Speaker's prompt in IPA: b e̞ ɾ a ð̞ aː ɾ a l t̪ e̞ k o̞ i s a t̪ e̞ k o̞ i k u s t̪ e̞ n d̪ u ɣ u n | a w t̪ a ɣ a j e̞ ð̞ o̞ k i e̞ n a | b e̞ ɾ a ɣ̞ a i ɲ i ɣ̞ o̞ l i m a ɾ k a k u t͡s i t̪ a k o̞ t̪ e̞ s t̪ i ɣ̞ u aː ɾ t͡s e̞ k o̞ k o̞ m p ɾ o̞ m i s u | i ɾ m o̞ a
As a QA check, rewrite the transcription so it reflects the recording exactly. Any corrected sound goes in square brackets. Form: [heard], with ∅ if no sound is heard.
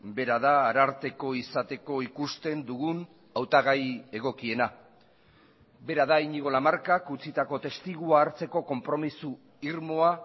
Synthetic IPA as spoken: b e̞ ɾ a ð̞ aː ɾ a [ɾ] t̪ e̞ k o̞ i s a t̪ e̞ k o̞ i k u s t̪ e̞ n d̪ u ɣ u n | a w t̪ a ɣ a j e̞ [ɣ̞] o̞ k i e̞ n a | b e̞ ɾ a [ð̞] a i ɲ i ɣ̞ o̞ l [a] m a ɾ k a k u t͡s i t̪ a k o̞ t̪ e̞ s t̪ i ɣ̞ u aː ɾ t͡s e̞ k o̞ k o̞ m p ɾ o̞ m i s u | i ɾ m o̞ a

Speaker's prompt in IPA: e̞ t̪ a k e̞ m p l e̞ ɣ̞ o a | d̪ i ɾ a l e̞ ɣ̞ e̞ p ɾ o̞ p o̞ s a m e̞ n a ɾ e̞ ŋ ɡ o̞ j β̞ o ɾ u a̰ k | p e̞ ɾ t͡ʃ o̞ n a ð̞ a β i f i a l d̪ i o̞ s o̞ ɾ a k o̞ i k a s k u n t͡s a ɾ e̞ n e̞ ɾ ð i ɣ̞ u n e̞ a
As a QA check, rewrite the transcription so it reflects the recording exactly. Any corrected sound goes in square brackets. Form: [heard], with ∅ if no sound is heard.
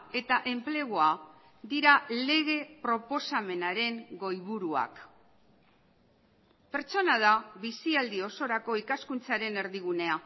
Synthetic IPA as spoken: e̞ t̪ a [ʔ] e̞ m p l e̞ ɣ̞ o a | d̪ i ɾ a l e̞ ɣ̞ e̞ p ɾ o̞ p o̞ s a m e̞ n a ɾ e̞ ŋ ɡ o̞ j β̞ [u] ɾ u a̰ k | p e̞ ɾ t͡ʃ o̞ n a ð̞ a β i [s] i a l d̪ i o̞ s o̞ ɾ a k o̞ i k a s k u n t͡s a ɾ e̞ n e̞ ɾ ð i ɣ̞ u n e̞ a

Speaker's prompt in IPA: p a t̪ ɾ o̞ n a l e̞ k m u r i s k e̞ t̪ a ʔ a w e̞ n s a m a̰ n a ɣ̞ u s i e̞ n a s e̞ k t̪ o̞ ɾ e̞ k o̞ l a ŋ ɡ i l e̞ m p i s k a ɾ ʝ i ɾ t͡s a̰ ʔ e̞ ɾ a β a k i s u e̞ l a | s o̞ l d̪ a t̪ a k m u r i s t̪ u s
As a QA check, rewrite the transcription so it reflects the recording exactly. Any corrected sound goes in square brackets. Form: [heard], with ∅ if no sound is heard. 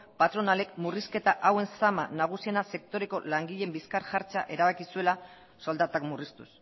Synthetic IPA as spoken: p a t̪ ɾ o̞ n a l e̞ k m u r i s k e̞ t̪ a ʔ a w e̞ n s a m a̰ n a ɣ̞ u s i e̞ n a s e̞ k t̪ o̞ ɾ e̞ k o̞ l a ŋ ɡ i [ʎ] e̞ m [b] i s k a ɾ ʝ [a] ɾ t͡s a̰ ʔ e̞ ɾ a β a k i s u e̞ l a | s o̞ l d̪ a t̪ a k m u r i s t̪ u s

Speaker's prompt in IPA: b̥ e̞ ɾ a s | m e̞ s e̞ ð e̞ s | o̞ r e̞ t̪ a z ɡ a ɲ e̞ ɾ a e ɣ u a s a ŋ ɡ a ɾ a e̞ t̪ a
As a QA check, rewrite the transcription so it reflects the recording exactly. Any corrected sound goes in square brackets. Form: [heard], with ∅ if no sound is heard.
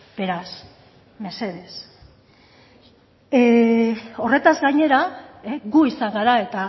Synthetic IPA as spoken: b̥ e̞ ɾ a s | m e̞ s e̞ ð e̞ s | o̞ r e̞ t̪ a z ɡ a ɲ e̞ ɾ a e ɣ u [i] s a ŋ ɡ a ɾ a e̞ t̪ a

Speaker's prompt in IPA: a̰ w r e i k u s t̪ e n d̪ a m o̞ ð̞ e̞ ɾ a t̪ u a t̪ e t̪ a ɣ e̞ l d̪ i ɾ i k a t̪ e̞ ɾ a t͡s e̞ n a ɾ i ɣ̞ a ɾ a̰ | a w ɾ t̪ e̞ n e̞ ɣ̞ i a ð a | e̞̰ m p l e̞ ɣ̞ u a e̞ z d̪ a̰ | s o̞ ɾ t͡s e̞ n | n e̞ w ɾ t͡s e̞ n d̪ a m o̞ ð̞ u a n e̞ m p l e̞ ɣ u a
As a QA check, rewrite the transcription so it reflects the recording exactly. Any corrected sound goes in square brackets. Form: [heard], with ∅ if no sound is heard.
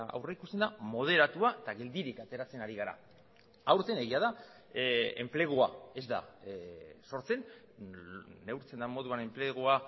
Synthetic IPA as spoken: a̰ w r e i k u s t̪ e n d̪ a m o̞ ð̞ e̞ ɾ a t̪ u a [∅] e t̪ a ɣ e̞ l d̪ i ɾ i k a t̪ e̞ ɾ a t͡s e̞ n a ɾ i ɣ̞ a ɾ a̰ | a w ɾ t̪ e̞ n e̞ ɣ̞ i a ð a | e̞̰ m p l e̞ ɣ̞ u a e̞ z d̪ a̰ | s o̞ ɾ t͡s e̞ n | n e̞ w ɾ t͡s e̞ n d̪ a m o̞ ð̞ u a n e̞ m p l e̞ ɣ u a

